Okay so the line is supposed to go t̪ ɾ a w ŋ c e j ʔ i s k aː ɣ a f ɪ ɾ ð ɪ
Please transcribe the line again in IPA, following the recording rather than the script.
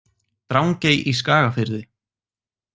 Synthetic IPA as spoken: t̪ ɾ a w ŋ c e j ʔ i s k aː ɣ a f ɪ ɾ ð ɪ